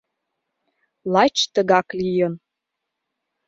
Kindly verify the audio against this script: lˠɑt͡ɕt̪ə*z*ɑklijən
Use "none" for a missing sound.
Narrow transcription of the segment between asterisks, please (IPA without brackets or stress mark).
ɣ